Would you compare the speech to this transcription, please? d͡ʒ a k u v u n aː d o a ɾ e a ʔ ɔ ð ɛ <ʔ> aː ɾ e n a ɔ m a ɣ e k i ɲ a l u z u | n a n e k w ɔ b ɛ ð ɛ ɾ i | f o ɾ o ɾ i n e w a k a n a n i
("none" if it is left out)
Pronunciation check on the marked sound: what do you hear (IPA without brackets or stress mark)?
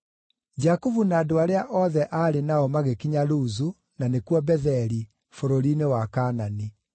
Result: ʔ